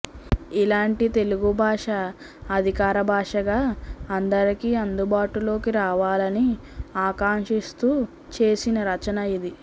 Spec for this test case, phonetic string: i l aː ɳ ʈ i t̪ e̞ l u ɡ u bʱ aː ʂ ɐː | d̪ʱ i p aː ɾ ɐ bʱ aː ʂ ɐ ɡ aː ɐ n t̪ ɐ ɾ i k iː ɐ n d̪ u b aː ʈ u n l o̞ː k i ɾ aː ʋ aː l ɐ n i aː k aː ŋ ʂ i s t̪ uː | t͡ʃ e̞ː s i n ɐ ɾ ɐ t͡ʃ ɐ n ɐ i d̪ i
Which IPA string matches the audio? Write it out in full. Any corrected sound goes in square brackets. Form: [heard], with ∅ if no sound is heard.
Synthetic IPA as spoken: i l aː ɳ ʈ i t̪ e̞ l u ɡ u bʱ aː ʂ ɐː | d̪ʱ i [k] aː ɾ ɐ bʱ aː ʂ ɐ ɡ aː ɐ n [d̪] ɐ ɾ i k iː ɐ n d̪ u b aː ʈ u [∅] l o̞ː k i ɾ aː ʋ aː l ɐ n i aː k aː ŋ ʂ i s t̪ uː | t͡ʃ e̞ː s i n ɐ ɾ ɐ t͡ʃ ɐ n ɐ i d̪ i